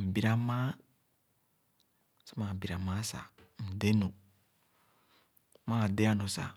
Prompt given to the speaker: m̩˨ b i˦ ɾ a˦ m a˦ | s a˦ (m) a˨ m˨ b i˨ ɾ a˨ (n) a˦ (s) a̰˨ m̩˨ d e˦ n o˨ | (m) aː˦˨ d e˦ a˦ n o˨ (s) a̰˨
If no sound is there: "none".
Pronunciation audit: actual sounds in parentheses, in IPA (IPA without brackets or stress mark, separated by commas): m, m, s, m, s